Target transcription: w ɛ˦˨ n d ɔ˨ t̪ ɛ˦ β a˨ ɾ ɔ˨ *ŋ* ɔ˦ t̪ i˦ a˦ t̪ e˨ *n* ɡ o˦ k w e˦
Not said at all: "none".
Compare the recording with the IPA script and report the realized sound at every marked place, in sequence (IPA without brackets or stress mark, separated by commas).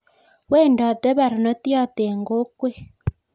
n, ŋ